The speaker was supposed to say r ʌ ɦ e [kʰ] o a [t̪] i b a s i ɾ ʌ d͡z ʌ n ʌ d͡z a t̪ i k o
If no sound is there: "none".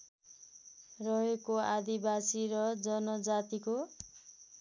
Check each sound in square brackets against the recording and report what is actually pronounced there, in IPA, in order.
k, d̪

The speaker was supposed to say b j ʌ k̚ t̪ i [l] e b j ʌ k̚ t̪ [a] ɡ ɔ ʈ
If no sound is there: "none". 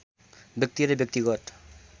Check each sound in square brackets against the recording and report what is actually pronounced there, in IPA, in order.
ɾ, i

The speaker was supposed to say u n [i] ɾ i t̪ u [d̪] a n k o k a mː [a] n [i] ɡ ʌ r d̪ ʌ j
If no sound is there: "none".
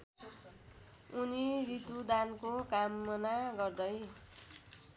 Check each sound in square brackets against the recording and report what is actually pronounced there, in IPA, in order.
i, d̪, ʌ, a

